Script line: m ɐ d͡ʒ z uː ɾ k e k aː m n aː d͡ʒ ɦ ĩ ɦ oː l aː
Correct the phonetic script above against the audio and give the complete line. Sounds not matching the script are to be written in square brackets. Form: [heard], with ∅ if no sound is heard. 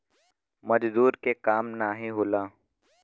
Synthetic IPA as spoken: m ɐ d͡ʒ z uː ɾ k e k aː m n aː [∅] ɦ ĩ ɦ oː l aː